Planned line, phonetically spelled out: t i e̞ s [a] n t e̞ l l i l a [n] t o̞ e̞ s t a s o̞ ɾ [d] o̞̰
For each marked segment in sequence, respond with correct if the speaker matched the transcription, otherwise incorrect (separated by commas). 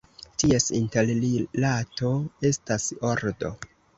incorrect, incorrect, correct